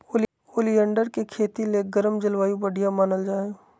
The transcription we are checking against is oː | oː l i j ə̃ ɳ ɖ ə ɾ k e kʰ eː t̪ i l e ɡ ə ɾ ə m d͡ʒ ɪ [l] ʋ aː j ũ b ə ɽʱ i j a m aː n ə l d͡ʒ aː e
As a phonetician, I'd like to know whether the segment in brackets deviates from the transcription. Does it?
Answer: no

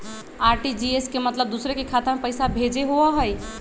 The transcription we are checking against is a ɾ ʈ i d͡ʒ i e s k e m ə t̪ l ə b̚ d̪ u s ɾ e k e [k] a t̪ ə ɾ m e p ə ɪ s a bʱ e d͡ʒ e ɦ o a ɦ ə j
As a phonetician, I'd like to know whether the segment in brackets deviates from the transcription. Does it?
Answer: yes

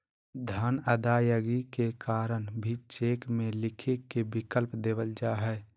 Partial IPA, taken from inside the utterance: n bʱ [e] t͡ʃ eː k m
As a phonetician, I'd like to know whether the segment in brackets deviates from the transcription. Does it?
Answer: yes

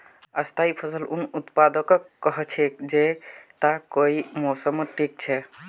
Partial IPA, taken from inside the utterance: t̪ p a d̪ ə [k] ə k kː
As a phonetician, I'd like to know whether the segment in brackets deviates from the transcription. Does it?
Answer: no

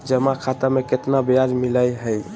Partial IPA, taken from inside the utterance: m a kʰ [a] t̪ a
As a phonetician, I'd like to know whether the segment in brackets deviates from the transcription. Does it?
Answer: no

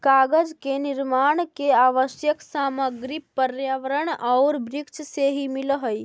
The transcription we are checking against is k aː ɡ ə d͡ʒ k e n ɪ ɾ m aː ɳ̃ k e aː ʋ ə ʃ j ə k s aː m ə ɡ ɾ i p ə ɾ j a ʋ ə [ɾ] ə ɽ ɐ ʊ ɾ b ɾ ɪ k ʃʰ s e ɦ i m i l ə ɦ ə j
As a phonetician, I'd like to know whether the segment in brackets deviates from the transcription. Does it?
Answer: no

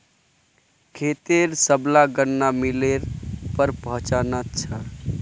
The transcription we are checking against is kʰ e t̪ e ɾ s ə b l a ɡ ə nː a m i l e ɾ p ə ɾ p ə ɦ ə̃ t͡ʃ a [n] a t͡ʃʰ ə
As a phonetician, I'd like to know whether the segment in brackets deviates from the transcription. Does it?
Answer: no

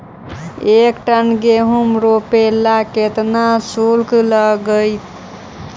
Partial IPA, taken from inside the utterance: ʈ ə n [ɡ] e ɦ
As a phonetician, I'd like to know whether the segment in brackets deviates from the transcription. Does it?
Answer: no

